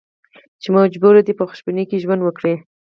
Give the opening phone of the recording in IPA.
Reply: t͡ʃ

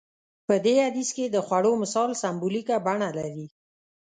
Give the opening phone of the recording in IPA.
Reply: p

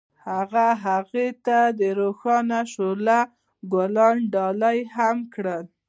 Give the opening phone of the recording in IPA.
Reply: h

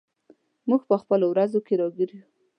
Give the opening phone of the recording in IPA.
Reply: m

